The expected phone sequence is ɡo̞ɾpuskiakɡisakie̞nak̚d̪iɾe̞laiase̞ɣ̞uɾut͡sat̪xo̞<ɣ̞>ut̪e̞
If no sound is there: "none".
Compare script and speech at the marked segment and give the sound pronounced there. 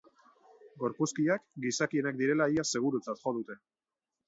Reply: ð̞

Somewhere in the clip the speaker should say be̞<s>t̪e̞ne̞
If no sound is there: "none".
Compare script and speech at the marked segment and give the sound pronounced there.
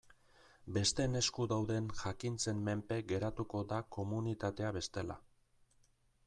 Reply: s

